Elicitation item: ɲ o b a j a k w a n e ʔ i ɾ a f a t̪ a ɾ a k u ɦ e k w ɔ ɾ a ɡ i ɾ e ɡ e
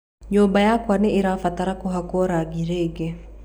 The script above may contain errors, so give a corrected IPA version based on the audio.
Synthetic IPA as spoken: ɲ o b a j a k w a n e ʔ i ɾ a f a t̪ a ɾ a k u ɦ a k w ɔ ɾ a ɡ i ɾ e ɡ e